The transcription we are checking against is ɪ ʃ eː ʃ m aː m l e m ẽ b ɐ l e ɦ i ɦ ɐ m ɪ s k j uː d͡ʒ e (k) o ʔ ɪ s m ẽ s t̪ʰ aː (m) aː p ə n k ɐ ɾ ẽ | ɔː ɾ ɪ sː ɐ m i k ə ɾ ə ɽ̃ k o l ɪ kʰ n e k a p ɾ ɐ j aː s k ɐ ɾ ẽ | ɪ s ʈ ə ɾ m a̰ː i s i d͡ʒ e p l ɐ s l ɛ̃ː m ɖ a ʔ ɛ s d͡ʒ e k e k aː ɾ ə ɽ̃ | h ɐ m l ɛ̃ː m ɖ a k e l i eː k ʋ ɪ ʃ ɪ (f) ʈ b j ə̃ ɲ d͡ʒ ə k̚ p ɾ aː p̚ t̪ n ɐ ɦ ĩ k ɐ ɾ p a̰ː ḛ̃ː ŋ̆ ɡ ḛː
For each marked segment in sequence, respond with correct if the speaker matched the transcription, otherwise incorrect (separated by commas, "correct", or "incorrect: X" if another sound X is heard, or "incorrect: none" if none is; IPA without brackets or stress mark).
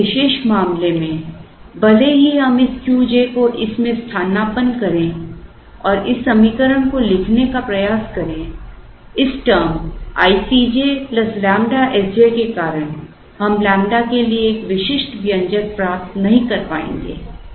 correct, incorrect: n, incorrect: ʃ